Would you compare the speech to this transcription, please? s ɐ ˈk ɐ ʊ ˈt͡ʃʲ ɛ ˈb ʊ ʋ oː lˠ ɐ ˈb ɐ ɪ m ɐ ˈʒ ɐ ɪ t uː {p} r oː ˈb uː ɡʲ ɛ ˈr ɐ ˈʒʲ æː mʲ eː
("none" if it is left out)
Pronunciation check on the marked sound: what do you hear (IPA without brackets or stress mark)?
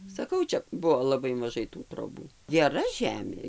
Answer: t